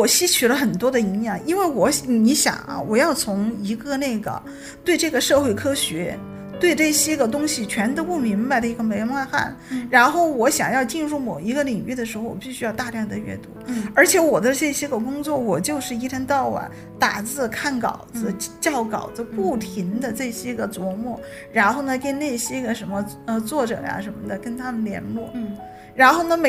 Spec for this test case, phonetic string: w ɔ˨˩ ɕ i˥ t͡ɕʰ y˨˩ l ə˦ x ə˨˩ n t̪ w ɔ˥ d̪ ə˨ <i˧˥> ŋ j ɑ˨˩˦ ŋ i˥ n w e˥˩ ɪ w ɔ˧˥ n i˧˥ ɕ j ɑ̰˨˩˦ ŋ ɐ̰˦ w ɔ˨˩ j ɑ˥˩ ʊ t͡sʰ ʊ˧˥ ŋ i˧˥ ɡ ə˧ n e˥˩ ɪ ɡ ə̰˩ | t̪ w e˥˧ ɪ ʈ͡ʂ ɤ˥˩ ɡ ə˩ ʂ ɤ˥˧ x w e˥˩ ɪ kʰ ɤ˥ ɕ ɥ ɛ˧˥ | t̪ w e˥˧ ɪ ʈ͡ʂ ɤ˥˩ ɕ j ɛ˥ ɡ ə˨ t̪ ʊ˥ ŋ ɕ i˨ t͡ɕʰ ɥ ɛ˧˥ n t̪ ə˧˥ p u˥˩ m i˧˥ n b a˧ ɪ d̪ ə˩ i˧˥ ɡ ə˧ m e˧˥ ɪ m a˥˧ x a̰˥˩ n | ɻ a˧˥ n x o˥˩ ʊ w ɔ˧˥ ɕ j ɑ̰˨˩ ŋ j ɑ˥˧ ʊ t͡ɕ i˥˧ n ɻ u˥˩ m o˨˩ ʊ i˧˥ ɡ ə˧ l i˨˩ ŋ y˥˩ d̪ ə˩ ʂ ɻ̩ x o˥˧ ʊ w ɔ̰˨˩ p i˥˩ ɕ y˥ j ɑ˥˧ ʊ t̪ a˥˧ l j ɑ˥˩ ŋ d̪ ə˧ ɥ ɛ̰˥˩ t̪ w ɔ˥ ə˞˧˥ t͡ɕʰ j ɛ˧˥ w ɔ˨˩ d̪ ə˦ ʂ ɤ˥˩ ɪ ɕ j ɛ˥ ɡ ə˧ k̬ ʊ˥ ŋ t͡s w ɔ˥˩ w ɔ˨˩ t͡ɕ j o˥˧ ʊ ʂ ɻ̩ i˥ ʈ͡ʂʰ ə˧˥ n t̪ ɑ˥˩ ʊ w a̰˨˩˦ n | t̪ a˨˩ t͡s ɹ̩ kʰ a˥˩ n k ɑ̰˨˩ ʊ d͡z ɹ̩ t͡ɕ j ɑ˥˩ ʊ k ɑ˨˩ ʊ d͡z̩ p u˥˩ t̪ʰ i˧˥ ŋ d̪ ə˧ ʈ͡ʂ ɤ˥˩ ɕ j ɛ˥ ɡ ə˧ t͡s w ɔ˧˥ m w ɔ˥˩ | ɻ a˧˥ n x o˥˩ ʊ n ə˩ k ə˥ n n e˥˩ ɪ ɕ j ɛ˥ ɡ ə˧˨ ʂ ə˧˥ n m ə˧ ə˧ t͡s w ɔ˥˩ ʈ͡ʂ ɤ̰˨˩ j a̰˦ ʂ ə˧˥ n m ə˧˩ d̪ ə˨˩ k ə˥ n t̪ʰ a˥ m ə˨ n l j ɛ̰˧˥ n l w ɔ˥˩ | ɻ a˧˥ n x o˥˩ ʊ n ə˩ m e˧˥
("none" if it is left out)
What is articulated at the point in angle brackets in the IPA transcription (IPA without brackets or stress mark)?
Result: i˧˥